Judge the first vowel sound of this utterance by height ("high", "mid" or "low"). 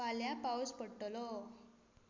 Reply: low